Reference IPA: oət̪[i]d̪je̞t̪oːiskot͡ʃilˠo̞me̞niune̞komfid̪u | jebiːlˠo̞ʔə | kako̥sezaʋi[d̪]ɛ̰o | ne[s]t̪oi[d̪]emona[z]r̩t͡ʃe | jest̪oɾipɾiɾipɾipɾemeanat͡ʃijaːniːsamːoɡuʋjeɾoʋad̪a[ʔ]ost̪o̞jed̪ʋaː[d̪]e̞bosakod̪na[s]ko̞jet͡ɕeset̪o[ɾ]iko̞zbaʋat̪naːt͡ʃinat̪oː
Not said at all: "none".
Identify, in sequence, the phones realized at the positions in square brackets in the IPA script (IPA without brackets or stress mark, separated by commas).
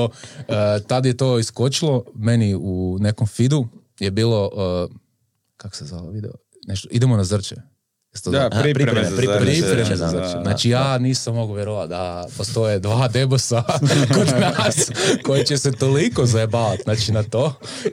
a, d̪, ʃ, d̪, z, p, d̪, s, l